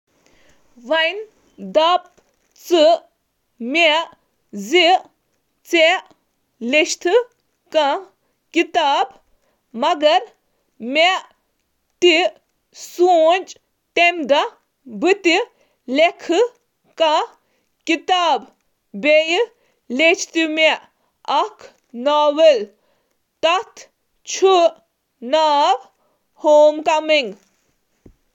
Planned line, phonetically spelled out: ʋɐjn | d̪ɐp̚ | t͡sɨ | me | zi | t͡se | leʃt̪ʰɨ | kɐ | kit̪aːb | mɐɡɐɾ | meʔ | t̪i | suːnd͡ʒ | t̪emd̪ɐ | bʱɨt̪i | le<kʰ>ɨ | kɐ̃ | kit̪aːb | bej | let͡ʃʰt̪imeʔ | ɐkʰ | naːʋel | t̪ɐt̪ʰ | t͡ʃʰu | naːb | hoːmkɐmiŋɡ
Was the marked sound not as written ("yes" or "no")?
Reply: no